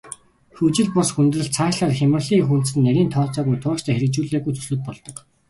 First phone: x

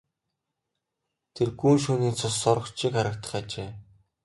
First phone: t̪ʰ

